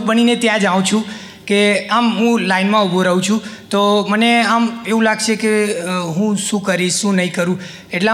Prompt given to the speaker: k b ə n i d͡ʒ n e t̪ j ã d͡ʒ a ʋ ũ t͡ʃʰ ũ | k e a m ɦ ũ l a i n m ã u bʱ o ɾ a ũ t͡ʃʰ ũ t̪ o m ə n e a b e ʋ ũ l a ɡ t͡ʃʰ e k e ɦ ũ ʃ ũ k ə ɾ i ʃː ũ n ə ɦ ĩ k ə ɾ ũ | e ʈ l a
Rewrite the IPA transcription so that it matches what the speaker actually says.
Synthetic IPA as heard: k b ə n i n e t̪ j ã d͡ʒ a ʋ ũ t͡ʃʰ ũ | k e a m ɦ ũ l a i n m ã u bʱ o ɾ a ũ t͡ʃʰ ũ t̪ o m ə n e a m e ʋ ũ l a ɡ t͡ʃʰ e k e ɦ ũ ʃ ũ k ə ɾ i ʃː ũ n ə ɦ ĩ k ə ɾ ũ | e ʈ l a